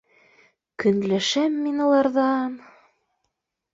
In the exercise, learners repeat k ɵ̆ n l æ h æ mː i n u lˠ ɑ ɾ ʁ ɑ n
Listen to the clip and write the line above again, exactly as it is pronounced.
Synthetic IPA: k ɵ̆ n l æ ʃ æ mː i n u lˠ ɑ ɾ ð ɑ n